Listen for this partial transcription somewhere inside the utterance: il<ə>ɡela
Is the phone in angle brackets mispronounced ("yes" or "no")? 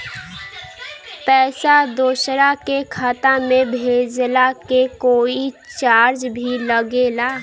no